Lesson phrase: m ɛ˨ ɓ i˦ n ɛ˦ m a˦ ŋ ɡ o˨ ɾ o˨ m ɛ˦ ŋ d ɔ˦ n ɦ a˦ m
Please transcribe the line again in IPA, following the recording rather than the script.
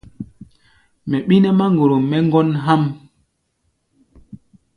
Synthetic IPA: m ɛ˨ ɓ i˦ n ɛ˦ m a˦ ŋ ɡ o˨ ɾ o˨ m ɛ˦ ŋ ɡ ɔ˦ n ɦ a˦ m